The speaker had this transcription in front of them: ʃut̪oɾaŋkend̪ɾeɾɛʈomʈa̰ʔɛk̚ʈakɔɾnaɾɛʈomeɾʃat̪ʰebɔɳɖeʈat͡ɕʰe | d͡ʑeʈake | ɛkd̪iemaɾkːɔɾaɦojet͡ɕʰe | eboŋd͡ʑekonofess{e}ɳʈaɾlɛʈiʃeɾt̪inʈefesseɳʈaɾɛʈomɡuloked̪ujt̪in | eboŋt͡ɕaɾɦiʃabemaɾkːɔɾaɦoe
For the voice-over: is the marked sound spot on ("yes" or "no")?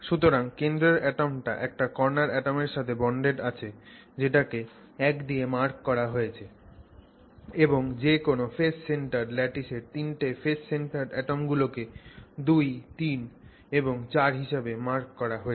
yes